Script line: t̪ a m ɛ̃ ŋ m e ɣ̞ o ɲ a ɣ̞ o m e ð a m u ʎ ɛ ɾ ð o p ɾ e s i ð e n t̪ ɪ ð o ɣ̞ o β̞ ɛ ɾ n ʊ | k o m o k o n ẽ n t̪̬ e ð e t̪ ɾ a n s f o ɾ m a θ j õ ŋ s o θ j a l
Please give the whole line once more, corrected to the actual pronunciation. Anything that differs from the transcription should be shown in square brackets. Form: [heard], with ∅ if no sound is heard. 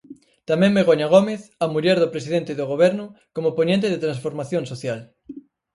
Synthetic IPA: t̪ a m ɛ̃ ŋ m e ɣ̞ o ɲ a ɣ̞ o m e [θ] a m u ʎ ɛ ɾ ð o p ɾ e s i ð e n t̪ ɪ ð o ɣ̞ o β̞ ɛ ɾ n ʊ | k o m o [p] o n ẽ n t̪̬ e ð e t̪ ɾ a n s f o ɾ m a θ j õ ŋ s o θ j a l